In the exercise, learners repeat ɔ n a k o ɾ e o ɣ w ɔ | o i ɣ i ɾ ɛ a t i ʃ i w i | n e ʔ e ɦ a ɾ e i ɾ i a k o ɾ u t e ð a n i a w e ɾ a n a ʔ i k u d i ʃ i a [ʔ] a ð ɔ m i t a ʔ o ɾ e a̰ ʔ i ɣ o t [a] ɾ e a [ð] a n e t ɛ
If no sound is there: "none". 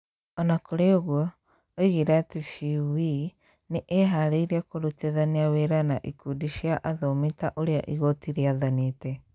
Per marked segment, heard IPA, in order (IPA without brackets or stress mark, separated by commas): ʔ, i, ð